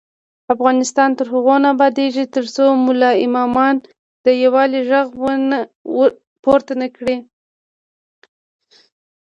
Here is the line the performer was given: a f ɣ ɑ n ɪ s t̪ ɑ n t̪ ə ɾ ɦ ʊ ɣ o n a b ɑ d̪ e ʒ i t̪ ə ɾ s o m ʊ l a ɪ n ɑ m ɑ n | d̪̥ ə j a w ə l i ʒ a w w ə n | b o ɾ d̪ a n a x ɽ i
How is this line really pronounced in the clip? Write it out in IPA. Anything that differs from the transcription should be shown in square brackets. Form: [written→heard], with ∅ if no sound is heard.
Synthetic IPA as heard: a f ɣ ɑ n ɪ s t̪ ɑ n t̪ ə ɾ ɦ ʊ ɣ o n a b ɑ d̪ e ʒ i t̪ ə ɾ s o m ʊ l [a→ɑ] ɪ [n→m] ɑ m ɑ n | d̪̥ ə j a w [ə→ɑ] l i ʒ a [w→ɣ] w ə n | [b→p] o ɾ [d̪→t̪] a n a [x→k] ɽ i

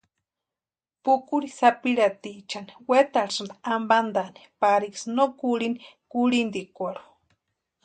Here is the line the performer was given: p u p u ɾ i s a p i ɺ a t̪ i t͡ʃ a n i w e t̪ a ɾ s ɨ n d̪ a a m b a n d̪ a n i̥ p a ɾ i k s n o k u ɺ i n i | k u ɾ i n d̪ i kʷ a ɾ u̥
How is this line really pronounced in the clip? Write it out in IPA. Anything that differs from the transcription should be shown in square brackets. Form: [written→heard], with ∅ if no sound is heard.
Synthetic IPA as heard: p u [p→k] u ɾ i s a p i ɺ a t̪ i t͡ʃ a n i w e t̪ a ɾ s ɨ n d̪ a a m b a n d̪ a n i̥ p a ɾ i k s n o k u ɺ i n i | k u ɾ i n d̪ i kʷ a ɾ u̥

